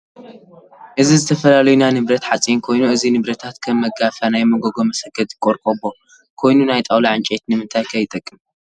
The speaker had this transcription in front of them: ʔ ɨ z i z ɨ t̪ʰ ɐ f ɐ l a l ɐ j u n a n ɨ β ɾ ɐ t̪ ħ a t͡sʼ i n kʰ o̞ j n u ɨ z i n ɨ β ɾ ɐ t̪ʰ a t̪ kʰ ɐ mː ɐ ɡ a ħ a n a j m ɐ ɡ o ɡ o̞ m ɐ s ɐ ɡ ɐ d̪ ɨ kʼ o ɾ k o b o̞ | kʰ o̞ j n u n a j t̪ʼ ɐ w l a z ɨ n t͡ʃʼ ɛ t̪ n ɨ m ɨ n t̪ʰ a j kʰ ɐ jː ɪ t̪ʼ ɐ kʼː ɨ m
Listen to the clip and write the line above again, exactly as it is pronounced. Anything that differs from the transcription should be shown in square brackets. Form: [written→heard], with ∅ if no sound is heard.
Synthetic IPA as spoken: ʔ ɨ z i z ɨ t̪ʰ ɐ f ɐ l a l ɐ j u n a n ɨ β ɾ ɐ t̪ ħ a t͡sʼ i n kʰ o̞ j n u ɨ z i n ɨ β ɾ ɐ t̪ʰ a t̪ kʰ ɐ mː ɐ ɡ a [ħ→f] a n a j m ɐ ɡ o ɡ o̞ m ɐ s ɐ ɡ ɐ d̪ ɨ kʼ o ɾ [k→kʼ] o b o̞ | kʰ o̞ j n u n a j t̪ʼ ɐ w l a [z→ʕ] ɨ n t͡ʃʼ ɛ t̪ n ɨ m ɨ n t̪ʰ a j kʰ ɐ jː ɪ t̪ʼ ɐ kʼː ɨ m